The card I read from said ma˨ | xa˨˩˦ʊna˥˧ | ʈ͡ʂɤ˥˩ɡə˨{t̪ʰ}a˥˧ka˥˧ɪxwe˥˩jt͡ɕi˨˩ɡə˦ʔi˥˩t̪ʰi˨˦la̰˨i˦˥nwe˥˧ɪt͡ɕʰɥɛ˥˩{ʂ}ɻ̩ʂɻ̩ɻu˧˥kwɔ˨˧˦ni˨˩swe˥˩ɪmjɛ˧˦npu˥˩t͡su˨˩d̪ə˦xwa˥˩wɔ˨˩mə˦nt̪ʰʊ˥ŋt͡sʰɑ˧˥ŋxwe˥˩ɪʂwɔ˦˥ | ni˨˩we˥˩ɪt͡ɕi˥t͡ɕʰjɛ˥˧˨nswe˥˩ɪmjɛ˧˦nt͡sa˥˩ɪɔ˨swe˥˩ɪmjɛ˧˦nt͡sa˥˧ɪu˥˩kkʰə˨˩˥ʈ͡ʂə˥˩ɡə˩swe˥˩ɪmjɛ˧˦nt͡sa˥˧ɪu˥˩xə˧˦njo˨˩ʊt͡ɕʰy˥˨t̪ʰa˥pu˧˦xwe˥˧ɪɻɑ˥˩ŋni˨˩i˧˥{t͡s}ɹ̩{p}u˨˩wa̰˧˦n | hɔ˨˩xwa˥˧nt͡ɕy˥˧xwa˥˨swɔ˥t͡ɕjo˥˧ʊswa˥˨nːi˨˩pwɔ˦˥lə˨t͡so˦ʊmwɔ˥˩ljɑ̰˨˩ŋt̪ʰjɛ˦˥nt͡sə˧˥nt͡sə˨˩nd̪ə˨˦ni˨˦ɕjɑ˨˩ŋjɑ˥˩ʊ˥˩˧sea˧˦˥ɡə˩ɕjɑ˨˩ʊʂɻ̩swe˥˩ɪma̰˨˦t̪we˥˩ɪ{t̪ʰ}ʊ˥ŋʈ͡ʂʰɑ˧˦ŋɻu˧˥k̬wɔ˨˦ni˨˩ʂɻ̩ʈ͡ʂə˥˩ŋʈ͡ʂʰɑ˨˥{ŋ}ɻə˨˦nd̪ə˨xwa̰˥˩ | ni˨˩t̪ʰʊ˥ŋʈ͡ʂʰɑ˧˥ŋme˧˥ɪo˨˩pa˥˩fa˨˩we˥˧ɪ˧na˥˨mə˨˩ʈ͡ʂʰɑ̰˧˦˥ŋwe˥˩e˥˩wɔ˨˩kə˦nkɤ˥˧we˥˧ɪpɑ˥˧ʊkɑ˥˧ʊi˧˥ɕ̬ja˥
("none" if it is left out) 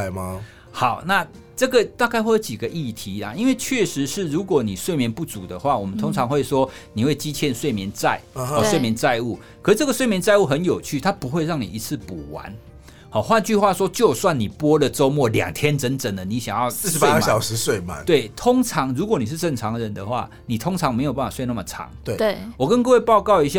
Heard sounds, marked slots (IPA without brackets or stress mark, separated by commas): t̪, ʂ, t͡sʰ, p, t̪ʰ, ŋ